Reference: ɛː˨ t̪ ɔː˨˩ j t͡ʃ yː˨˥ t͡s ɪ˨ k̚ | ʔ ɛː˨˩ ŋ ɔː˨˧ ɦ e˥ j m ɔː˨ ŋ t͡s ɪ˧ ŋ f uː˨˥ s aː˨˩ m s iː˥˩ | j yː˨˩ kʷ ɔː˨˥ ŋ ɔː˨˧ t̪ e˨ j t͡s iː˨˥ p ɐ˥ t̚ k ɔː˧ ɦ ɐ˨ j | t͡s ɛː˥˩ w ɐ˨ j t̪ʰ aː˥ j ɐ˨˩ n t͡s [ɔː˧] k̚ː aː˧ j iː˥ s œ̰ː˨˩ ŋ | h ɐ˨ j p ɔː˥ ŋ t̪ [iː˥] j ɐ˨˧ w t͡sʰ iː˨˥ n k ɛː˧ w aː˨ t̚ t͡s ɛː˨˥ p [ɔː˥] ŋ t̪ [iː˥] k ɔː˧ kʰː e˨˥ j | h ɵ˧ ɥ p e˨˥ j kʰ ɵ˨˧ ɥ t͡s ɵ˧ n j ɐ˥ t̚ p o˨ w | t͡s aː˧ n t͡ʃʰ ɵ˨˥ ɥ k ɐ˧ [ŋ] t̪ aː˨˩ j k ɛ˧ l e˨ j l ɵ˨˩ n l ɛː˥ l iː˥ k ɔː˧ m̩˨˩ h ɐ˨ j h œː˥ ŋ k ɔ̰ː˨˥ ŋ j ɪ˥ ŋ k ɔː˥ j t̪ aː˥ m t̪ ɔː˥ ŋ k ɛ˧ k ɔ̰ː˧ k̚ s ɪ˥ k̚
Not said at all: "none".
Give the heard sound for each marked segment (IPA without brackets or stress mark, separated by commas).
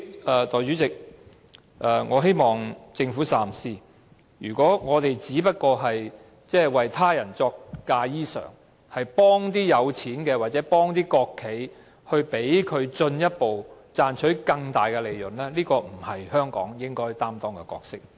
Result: ɔː˧, iː˥, ɔː˥, iː˥, ŋ